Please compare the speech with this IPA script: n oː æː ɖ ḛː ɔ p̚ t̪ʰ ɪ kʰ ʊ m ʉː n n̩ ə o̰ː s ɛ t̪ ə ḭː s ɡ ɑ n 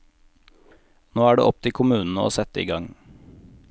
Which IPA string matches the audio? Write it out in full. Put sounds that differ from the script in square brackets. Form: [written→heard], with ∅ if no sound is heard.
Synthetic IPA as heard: n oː æː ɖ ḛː ɔ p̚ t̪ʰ ɪ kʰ ʊ m ʉː n n̩ ə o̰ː s ɛ t̪ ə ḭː [s→∅] ɡ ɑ [n→ŋ]